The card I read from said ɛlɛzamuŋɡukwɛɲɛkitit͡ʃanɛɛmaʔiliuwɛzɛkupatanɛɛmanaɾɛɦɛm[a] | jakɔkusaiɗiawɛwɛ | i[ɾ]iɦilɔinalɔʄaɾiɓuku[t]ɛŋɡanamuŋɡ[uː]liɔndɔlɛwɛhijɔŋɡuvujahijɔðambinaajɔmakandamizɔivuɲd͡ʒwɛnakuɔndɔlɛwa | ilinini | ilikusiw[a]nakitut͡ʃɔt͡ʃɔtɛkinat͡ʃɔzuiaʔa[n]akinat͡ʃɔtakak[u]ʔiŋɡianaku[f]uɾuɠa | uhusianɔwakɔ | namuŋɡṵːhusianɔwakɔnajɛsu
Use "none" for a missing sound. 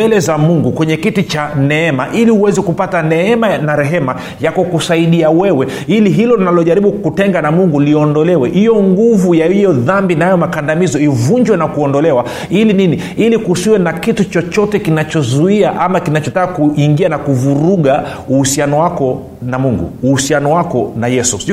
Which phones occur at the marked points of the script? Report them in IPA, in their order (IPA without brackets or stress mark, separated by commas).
a, l, t, u, ɛ, m, u, v